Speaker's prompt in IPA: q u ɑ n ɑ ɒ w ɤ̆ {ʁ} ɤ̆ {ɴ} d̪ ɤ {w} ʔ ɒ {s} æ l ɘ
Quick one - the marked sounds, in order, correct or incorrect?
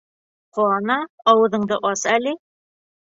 incorrect, correct, incorrect, correct

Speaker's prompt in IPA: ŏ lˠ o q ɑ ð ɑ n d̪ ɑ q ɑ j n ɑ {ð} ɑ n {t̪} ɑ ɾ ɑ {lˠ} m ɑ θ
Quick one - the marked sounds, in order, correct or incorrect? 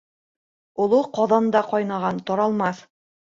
incorrect, correct, correct

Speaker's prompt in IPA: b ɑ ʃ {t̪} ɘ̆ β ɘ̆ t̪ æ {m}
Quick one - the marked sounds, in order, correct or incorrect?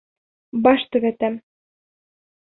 correct, correct

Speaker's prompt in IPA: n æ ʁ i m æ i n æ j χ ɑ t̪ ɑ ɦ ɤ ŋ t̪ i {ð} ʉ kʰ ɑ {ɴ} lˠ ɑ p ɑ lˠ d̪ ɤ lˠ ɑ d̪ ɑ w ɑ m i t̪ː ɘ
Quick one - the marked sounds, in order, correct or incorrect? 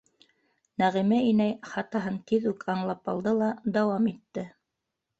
correct, correct

